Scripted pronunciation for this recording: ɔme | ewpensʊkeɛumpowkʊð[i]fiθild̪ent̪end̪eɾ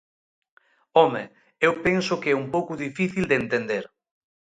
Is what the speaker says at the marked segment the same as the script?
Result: yes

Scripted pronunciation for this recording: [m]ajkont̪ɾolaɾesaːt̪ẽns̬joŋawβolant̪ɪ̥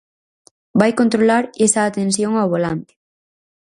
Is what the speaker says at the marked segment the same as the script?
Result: no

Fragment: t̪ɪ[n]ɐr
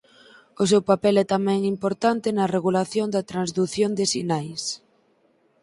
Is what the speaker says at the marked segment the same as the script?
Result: yes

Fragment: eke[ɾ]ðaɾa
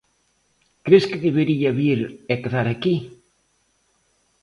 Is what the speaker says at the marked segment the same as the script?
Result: no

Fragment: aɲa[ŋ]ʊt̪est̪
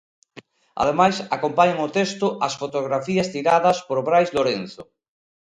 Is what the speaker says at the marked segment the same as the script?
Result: yes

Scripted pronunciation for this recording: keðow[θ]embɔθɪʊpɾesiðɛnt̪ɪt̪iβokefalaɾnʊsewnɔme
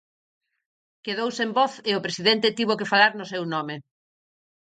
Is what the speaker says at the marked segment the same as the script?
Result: no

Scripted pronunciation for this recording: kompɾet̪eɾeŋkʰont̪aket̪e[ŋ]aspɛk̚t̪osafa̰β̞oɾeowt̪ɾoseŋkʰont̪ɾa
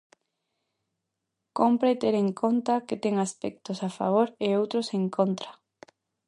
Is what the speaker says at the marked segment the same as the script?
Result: yes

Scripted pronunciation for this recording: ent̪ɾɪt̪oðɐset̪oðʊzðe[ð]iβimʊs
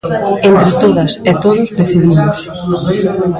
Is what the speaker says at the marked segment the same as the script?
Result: no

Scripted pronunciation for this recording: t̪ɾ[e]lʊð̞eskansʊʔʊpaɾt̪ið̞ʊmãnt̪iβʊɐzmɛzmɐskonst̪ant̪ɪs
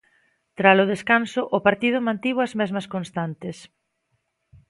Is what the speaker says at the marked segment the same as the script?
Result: no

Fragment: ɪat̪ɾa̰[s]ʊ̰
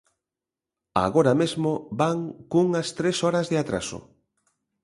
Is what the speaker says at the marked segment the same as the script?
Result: yes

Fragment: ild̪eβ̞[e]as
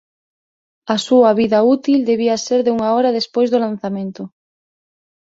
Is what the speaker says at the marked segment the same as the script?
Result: no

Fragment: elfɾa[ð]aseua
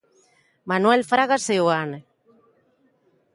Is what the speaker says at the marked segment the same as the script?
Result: no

